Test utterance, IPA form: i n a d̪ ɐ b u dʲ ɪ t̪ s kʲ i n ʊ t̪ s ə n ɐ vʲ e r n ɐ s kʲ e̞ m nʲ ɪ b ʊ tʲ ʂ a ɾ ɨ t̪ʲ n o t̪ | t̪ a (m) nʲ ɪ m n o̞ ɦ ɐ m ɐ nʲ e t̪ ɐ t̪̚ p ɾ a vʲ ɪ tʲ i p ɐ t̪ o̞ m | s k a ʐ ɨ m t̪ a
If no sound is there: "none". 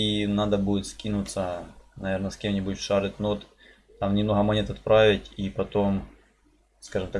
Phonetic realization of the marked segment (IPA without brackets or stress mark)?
m